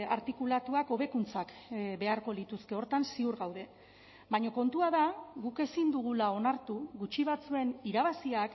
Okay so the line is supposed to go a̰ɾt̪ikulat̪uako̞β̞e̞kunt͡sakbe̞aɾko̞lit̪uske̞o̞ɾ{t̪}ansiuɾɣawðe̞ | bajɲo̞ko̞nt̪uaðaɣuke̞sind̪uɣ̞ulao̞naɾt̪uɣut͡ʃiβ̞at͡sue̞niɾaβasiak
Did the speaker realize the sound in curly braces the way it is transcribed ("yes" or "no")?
yes